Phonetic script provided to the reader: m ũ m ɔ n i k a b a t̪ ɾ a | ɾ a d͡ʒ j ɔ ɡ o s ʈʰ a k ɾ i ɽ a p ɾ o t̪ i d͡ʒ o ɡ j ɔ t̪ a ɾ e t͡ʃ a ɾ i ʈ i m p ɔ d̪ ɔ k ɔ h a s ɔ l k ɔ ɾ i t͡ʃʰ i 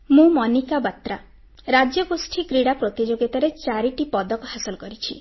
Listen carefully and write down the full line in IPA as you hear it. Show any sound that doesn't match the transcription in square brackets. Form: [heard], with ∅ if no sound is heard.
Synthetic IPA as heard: m ũ m ɔ n i k a b a t̪ ɾ a | ɾ a d͡ʒ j ɔ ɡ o s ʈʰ [i] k ɾ i ɽ a p ɾ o t̪ i d͡ʒ o ɡ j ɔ t̪ a ɾ e t͡ʃ a ɾ i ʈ i [∅] p ɔ d̪ ɔ k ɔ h a s ɔ l k ɔ ɾ i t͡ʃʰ i